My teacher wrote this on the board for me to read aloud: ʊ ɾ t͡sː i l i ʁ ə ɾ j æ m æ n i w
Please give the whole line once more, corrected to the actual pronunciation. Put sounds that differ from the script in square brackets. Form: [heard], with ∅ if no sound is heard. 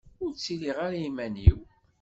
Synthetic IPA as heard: ʊ ɾ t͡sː i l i ʁ [a] ɾ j [i] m æ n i w